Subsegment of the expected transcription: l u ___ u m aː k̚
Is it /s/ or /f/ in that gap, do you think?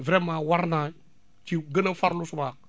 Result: s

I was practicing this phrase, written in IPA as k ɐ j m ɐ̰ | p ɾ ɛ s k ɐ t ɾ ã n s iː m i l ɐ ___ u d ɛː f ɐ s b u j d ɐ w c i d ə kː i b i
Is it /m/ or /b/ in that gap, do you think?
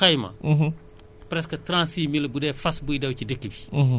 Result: b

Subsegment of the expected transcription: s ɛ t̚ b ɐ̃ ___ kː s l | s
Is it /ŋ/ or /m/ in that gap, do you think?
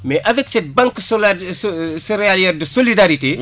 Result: ŋ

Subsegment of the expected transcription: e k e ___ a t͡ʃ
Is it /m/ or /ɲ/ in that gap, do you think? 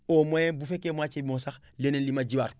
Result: m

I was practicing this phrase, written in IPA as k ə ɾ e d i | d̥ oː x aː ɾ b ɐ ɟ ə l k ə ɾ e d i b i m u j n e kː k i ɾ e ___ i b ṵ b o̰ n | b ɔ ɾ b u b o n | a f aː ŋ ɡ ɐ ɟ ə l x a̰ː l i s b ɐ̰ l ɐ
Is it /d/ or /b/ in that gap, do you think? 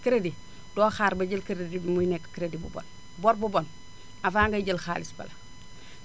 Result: d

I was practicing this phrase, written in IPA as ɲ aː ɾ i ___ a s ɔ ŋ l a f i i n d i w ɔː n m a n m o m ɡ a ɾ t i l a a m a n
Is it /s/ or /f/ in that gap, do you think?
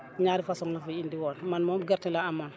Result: f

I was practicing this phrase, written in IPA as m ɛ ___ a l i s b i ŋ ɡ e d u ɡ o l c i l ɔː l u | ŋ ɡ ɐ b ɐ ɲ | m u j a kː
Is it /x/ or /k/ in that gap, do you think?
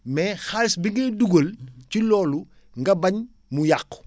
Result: x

